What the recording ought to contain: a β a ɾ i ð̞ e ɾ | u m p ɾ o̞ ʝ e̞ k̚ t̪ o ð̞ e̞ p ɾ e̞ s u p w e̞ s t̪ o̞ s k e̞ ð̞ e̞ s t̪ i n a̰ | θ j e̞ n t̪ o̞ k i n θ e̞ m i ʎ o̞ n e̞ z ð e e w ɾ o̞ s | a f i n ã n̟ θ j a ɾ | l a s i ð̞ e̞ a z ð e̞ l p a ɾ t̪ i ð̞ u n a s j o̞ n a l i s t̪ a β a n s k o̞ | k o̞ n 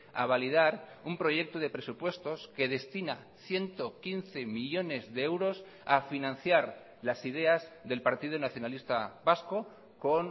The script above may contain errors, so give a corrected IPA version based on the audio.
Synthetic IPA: a β a l i ð̞ a ɾ | u m p ɾ o̞ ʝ e̞ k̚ t̪ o ð̞ e̞ p ɾ e̞ s u p w e̞ s t̪ o̞ s k e̞ ð̞ e̞ s t̪ i n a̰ | θ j e̞ n t̪ o̞ k i n θ e̞ m i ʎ o̞ n e̞ z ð e e w ɾ o̞ s | a f i n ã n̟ θ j a ɾ | l a s i ð̞ e̞ a z ð e̞ l p a ɾ t̪ i ð̞ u n a θ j o̞ n a l i s t̪ a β a s k o̞ | k o̞ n

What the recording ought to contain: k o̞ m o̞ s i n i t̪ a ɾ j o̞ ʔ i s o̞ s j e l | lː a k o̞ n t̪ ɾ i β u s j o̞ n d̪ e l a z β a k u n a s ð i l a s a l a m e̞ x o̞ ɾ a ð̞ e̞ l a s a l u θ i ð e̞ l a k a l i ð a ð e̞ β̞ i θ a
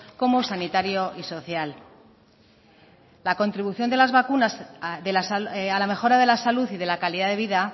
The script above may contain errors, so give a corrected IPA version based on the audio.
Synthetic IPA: k o̞ m o̞ s a n i t̪ a ɾ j o̞ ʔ i s o̞ θ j a l | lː a k o̞ n t̪ ɾ i β u θ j o̞ n d̪ e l a z β a k u n a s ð e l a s a l a m e̞ x o̞ ɾ a ð̞ e̞ l a s a l u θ i ð e̞ l a k a l i ð a ð e̞ β̞ i ð a

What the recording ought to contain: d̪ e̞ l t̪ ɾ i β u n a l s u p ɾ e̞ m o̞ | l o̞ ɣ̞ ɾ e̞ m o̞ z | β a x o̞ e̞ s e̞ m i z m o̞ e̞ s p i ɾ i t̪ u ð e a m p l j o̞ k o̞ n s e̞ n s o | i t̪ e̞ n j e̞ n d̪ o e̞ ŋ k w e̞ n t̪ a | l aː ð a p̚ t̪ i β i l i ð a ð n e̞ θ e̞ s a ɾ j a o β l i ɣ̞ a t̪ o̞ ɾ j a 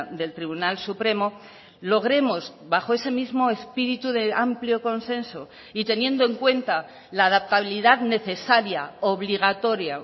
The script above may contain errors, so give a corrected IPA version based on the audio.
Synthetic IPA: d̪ e̞ l t̪ ɾ i β u n a l s u p ɾ e̞ m o̞ | l o̞ ɣ̞ ɾ e̞ m o̞ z | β a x o̞ e̞ s e̞ m i z m o̞ e̞ s p i ɾ i t̪ u ð e a m p l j o̞ k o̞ n s e̞ n s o | i t̪ e̞ n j e̞ n d̪ o e̞ ŋ k w e̞ n t̪ a | l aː ð a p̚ t̪ a β i l i ð a ð n e̞ θ e̞ s a ɾ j a o β l i ɣ̞ a t̪ o̞ ɾ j a

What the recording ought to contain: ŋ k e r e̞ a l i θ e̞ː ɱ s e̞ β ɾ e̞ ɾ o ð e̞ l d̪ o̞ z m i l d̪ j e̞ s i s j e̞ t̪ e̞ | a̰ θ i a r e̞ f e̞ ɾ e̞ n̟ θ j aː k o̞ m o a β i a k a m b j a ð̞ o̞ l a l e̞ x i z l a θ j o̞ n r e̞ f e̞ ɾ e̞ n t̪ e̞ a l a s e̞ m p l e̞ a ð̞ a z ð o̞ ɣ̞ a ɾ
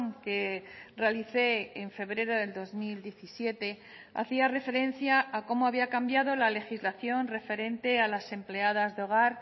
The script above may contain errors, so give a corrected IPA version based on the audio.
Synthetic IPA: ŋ k e r e̞ a l i θ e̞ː ɱ f e̞ β ɾ e̞ ɾ o ð e̞ l d̪ o̞ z m i l d̪ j e̞ θ i s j e̞ t̪ e̞ | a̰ θ i a r e̞ f e̞ ɾ e̞ n̟ θ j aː k o̞ m o a β i a k a m b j a ð̞ o̞ l a l e̞ x i z l a θ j o̞ n r e̞ f e̞ ɾ e̞ n t̪ e̞ a l a s e̞ m p l e̞ a ð̞ a z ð o̞ ɣ̞ a ɾ

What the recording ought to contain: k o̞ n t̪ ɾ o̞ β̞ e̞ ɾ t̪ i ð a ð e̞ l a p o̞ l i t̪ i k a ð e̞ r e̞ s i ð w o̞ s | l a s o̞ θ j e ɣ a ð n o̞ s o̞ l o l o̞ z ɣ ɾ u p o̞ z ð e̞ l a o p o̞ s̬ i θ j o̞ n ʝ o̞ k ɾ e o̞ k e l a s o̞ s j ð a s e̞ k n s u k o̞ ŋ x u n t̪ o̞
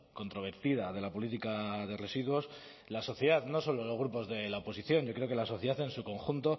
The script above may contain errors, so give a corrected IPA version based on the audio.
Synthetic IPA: k o̞ n t̪ ɾ o̞ β̞ e̞ ɾ t̪ i ð a ð e̞ l a p o̞ l i t̪ i k a ð e̞ r e̞ s i ð w o̞ s | l a s o̞ θ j e ð a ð n o̞ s o̞ l o l o̞ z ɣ ɾ u p o̞ z ð e̞ l a o p o̞ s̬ i θ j o̞ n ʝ o̞ k ɾ e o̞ k e l a s o̞ θ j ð a θ e̞ n s u k o̞ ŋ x u n t̪ o̞

